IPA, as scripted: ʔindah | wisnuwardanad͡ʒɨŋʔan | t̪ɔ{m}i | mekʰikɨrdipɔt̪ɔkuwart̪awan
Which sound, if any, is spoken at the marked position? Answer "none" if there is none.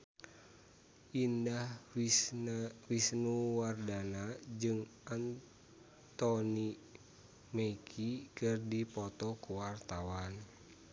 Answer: n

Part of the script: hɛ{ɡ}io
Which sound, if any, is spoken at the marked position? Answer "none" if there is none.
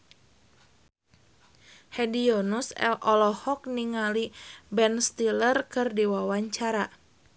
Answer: d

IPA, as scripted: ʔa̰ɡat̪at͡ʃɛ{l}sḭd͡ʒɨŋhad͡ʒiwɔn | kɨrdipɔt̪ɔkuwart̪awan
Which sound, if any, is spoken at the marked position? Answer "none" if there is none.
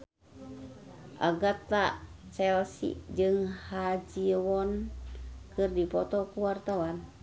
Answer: l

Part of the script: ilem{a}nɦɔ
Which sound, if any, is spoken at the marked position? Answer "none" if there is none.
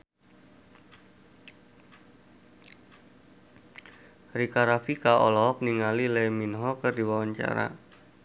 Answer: i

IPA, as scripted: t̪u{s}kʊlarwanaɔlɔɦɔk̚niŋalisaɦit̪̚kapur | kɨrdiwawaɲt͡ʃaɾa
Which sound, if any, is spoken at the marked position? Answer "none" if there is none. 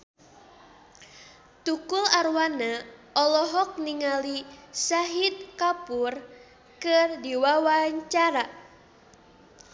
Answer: none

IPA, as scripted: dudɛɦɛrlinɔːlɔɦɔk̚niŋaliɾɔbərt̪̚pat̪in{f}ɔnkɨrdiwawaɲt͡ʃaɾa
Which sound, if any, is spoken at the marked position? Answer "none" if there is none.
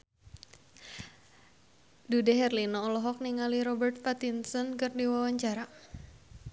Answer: s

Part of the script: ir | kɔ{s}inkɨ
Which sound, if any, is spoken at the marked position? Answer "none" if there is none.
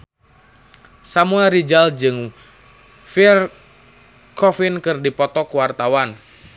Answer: f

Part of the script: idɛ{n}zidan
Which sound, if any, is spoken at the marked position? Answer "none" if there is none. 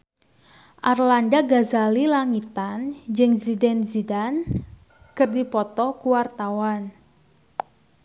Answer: n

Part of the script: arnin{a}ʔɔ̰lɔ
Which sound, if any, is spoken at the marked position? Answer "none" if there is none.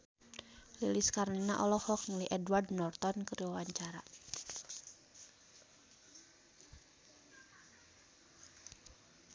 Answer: a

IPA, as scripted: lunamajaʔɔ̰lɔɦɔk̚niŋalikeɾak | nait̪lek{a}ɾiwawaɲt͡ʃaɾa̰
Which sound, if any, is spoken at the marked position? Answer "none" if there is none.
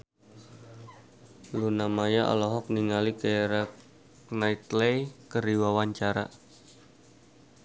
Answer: ə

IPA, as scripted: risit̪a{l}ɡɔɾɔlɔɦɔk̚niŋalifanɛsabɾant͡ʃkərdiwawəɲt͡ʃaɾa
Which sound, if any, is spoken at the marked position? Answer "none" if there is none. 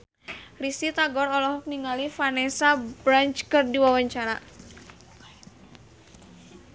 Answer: none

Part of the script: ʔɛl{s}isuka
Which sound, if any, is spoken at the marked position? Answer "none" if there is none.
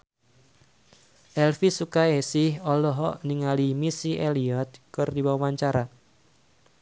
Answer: f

